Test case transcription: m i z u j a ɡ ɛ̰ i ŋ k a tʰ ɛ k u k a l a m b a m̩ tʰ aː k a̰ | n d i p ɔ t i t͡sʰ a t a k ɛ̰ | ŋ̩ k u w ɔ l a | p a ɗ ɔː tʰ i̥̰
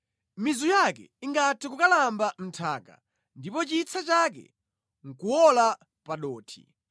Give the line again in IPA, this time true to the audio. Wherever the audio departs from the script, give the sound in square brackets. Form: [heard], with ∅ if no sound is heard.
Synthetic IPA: m i z u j a [k] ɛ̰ i ŋ [ɡ] a tʰ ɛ k u k a l a m b a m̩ tʰ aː k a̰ | n d i p ɔ [t͡ʃ] i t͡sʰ a [t͡ʃ] a k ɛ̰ | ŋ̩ k u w ɔ l a | p a ɗ ɔː tʰ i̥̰